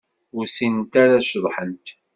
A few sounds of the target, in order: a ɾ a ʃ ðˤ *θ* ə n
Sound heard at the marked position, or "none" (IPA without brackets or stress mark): ħ